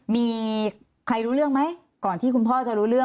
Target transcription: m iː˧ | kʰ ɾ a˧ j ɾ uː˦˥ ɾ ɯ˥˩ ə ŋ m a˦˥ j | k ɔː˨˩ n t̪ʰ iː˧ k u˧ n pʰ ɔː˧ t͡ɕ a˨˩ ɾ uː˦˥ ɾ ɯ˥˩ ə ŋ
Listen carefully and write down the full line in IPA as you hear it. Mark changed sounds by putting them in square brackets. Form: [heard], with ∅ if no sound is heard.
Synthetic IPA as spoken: m iː˧ | kʰ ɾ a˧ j ɾ uː˦˥ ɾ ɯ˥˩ ə ŋ m a˦˥ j | k ɔː˨˩ n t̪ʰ [iː˥˩] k u˧ n pʰ [ɔː˥˩] t͡ɕ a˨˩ ɾ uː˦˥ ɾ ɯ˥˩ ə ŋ